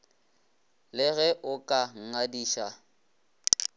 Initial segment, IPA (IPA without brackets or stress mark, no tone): l